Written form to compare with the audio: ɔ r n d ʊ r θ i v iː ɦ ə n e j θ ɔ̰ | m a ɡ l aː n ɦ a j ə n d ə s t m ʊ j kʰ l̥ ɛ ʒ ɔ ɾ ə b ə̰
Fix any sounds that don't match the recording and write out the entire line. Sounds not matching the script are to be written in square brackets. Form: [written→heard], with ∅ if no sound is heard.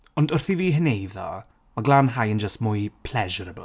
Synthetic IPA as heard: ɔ [r→∅] n d ʊ r θ i v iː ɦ ə n e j [θ→ð] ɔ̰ | m a ɡ l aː n ɦ a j ə n [d→d͡ʒ] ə s t m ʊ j [kʰ→pʰ] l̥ ɛ ʒ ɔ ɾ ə b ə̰